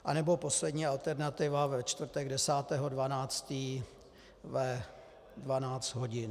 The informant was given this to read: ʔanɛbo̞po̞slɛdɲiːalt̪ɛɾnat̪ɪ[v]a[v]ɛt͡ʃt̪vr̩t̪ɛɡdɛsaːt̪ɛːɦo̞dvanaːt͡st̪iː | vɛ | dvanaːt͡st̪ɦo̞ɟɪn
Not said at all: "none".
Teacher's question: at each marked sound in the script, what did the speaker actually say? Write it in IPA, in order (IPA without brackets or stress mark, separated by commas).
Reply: v, v